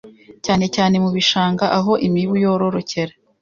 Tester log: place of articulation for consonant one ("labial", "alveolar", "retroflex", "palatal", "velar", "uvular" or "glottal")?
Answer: palatal